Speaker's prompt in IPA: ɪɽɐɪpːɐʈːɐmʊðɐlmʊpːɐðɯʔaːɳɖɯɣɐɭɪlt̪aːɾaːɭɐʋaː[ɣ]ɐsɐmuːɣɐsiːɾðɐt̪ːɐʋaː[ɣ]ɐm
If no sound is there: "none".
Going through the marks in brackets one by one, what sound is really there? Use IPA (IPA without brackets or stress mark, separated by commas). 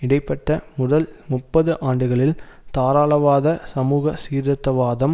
ð, ð